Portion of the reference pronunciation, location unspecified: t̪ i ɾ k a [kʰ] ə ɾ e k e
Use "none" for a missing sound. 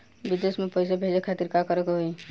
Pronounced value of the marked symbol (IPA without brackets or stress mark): k